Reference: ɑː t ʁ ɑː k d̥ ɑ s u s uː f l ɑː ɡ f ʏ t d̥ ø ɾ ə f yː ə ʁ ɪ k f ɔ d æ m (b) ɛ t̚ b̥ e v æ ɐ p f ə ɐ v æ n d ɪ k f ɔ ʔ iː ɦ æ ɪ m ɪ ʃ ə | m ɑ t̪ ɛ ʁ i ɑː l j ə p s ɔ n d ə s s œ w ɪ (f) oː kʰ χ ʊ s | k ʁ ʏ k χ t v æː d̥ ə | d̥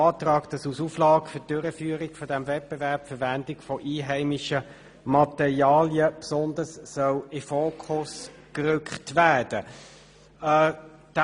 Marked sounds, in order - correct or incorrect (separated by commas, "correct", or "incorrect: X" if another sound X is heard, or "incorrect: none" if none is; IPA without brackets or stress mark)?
incorrect: v, correct